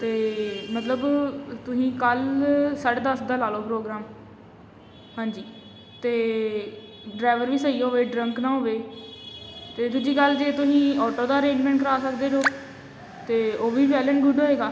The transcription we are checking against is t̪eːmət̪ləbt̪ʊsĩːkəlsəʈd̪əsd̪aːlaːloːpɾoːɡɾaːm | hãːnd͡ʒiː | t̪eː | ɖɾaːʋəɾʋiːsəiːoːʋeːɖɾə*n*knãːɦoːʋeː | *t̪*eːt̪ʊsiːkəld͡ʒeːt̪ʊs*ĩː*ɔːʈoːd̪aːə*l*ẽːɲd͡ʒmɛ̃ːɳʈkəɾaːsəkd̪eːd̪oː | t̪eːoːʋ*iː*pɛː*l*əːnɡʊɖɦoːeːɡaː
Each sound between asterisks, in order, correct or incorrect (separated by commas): incorrect, correct, correct, incorrect, correct, correct